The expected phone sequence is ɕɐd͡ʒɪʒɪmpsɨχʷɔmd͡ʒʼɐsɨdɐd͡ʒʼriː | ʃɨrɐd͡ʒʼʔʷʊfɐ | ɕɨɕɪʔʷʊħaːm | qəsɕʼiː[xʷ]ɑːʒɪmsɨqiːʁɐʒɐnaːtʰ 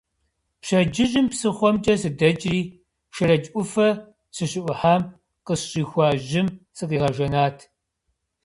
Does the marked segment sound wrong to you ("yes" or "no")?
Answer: no